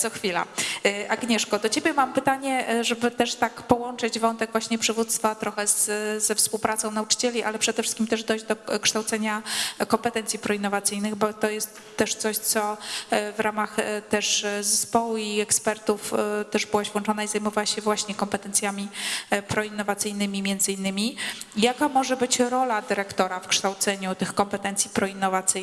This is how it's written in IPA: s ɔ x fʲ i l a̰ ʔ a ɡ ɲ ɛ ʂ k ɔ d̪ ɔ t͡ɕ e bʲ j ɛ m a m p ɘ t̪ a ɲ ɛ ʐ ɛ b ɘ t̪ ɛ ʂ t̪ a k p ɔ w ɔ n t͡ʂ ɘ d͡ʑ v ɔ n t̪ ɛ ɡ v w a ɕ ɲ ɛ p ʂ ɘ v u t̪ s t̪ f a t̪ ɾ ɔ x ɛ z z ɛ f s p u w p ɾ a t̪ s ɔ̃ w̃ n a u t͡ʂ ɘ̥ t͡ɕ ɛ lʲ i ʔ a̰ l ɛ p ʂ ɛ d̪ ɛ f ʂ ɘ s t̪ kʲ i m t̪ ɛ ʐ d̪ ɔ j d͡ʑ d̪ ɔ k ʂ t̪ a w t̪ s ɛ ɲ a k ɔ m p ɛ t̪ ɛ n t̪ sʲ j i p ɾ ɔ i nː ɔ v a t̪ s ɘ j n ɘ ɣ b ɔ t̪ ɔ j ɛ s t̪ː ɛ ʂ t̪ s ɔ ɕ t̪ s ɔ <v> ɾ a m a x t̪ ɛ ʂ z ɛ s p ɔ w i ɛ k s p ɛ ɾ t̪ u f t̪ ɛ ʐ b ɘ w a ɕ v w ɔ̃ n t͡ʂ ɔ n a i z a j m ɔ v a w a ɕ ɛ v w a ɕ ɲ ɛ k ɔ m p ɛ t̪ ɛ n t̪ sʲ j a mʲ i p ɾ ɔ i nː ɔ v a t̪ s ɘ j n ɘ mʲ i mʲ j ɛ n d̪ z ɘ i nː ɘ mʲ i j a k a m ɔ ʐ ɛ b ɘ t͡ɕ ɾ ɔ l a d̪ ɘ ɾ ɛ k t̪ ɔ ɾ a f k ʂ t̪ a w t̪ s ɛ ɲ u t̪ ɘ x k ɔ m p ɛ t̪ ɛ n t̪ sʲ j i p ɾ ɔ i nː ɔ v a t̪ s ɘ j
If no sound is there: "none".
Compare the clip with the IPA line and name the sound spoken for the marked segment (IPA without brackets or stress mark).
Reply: v